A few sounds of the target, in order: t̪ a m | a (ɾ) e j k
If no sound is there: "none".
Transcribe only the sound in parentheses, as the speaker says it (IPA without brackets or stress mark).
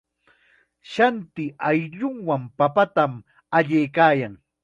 ʎ